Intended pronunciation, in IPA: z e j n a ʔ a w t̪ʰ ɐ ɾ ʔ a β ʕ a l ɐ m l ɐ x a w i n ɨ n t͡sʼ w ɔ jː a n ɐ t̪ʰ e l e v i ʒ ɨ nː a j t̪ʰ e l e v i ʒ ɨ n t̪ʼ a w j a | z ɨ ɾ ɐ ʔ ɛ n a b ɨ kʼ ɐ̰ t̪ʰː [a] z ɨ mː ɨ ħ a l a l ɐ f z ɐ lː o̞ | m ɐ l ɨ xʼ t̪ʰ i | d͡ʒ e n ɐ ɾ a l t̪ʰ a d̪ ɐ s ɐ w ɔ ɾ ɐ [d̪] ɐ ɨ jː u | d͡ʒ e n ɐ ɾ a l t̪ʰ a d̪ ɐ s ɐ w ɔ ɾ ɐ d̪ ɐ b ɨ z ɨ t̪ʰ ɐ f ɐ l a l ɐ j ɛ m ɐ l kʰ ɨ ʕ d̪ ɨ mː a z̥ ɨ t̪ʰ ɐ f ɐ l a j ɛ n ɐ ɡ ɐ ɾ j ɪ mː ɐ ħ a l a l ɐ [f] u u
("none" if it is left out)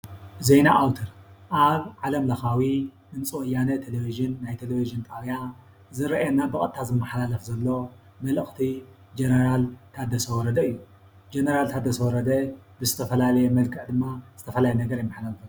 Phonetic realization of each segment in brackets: a, d̪, f

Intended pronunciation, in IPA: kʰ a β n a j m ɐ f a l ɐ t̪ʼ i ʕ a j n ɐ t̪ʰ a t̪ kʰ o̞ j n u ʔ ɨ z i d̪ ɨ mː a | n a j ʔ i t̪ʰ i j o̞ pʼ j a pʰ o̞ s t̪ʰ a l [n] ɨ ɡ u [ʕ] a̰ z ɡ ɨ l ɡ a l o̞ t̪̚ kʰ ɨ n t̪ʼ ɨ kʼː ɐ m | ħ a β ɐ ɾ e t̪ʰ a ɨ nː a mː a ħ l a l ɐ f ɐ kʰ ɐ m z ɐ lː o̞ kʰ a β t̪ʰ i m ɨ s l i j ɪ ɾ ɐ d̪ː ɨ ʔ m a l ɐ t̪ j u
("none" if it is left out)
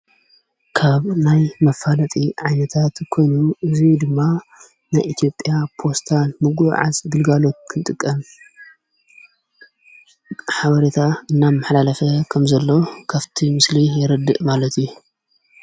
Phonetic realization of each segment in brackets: m, ʕ

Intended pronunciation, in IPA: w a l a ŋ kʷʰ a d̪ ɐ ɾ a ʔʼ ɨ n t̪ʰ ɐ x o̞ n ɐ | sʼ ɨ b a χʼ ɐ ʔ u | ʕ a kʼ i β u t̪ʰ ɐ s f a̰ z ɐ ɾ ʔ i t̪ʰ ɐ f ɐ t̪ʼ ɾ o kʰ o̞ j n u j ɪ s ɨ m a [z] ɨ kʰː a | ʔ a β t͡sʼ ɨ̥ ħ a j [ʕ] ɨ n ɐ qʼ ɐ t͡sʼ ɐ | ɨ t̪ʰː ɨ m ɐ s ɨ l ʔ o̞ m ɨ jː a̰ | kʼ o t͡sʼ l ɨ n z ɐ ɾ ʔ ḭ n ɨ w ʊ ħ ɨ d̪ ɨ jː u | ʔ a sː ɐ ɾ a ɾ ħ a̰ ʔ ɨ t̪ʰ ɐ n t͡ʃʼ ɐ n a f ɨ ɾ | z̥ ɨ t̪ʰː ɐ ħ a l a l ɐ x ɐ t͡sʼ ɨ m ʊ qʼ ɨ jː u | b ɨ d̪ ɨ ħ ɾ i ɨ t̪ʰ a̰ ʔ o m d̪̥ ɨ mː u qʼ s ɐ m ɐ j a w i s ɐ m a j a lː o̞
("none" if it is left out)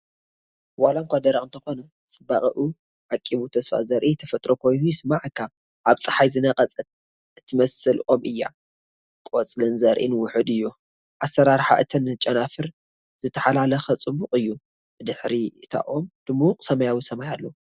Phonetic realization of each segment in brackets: ʕ, z

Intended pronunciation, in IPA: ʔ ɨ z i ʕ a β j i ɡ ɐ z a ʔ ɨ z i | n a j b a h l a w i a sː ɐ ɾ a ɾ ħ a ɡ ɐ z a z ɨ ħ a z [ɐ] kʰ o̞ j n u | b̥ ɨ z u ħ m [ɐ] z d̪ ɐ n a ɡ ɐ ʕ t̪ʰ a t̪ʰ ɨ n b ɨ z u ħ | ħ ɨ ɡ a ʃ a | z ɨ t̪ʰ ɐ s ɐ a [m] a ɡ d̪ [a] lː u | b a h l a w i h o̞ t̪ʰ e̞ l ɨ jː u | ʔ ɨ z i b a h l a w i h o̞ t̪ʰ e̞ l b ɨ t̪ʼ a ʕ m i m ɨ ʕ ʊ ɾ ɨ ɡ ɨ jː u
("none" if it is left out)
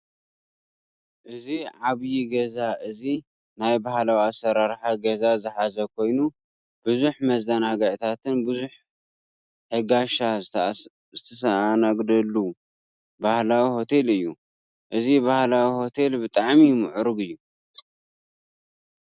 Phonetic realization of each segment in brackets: ɐ, ɐ, n, ɐ

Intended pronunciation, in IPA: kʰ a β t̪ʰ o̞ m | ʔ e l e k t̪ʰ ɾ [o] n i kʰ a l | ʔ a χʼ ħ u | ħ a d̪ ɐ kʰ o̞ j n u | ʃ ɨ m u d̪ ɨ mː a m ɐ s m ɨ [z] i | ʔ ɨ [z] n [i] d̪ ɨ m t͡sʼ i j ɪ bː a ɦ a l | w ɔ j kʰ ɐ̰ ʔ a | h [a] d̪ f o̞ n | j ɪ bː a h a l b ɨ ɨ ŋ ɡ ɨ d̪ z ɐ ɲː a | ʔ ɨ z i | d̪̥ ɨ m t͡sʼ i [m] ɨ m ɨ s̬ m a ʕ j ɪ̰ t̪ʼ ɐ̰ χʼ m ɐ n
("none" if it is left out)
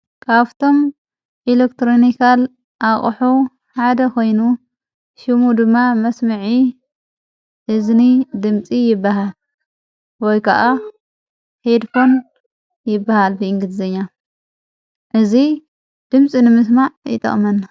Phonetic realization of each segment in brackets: o, ʕ, z, i, e, n

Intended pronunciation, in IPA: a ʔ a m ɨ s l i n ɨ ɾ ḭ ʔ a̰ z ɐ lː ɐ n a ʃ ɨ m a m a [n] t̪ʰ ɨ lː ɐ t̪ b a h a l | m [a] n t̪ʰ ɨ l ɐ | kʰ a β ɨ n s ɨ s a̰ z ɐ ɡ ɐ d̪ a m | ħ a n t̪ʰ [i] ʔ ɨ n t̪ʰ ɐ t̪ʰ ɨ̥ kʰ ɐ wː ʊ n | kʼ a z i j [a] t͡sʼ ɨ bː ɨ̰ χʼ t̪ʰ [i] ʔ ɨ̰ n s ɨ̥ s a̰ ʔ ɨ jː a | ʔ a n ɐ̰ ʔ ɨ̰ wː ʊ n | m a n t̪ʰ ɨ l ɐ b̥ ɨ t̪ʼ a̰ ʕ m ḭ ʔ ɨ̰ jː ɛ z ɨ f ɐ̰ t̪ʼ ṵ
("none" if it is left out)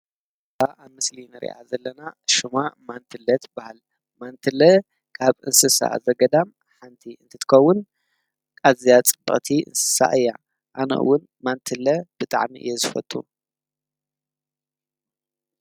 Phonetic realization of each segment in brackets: n, a, i, a, i

